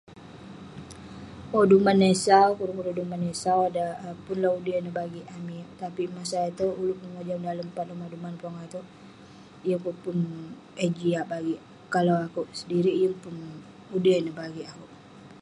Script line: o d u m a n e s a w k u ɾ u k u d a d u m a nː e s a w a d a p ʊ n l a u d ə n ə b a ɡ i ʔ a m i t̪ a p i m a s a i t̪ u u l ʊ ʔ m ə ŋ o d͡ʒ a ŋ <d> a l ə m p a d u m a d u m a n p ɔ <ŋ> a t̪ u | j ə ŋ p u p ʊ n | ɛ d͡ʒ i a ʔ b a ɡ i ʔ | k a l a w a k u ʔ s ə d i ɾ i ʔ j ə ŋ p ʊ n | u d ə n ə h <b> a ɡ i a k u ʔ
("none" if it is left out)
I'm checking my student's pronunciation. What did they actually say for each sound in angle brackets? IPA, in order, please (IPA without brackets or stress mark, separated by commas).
d, ŋ, b